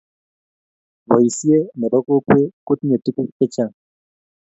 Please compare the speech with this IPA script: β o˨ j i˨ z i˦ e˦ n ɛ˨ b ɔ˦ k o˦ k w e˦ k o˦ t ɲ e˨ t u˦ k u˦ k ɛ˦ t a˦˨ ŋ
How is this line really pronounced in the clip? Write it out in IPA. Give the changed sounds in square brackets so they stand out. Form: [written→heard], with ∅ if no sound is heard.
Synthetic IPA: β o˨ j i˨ [z→s] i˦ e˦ n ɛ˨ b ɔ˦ k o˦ k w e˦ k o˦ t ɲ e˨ t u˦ k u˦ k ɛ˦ [t→t͡ʃ] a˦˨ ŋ